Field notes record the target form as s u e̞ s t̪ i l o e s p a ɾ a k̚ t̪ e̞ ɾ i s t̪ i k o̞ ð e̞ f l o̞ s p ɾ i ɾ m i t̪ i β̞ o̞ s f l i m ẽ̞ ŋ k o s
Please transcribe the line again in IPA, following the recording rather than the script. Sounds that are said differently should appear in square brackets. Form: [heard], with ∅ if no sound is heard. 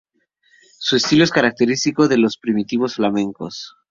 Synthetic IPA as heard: s u e̞ s t̪ i l o e s [k] a ɾ a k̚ t̪ e̞ ɾ i s t̪ i k o̞ ð e̞ [∅] l o̞ s p ɾ i [∅] m i t̪ i β̞ o̞ s f l [a] m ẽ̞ ŋ k o s